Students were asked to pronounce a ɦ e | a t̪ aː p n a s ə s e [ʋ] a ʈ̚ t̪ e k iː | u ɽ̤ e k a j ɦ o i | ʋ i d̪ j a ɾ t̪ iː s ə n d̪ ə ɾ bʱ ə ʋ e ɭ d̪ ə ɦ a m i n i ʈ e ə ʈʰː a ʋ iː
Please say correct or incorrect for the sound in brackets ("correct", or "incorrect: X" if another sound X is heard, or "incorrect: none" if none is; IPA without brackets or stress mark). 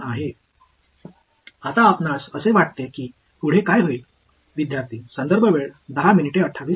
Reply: correct